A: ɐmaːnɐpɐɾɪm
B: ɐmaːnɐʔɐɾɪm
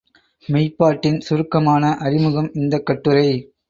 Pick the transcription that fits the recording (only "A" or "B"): B